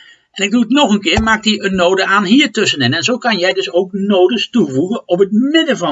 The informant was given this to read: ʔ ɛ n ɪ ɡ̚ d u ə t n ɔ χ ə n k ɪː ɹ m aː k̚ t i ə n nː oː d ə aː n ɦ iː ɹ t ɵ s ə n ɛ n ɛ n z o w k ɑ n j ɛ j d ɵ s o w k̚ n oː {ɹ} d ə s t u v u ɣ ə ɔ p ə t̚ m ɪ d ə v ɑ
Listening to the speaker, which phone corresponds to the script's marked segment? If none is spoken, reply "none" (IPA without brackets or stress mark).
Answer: none